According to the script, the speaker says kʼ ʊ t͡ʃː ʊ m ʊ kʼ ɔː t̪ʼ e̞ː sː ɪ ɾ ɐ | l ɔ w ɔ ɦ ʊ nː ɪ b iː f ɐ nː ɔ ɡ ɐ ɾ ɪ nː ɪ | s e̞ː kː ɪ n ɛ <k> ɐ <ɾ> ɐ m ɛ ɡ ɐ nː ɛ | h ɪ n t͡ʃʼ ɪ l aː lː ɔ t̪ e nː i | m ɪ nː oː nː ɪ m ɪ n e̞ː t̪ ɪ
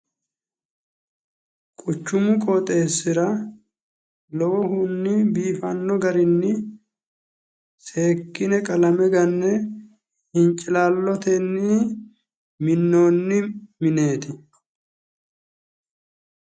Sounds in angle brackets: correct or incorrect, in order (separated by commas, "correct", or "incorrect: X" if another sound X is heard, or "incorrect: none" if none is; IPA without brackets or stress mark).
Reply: incorrect: kʼ, incorrect: l